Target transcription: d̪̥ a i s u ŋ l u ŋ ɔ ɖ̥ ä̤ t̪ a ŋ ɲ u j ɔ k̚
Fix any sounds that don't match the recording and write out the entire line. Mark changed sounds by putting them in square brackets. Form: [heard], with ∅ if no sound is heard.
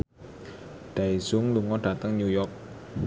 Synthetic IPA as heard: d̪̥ a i s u ŋ l u ŋ ɔ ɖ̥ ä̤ t̪ [ə] ŋ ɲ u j ɔ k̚